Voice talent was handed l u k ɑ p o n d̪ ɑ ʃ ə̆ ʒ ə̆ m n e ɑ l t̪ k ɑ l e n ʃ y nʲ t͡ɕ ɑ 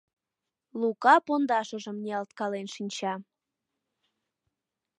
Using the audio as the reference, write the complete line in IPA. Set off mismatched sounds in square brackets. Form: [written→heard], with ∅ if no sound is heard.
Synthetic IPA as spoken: l u k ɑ p o n d̪ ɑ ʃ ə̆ ʒ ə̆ m n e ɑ l t̪ k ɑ l e n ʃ [y→i] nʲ t͡ɕ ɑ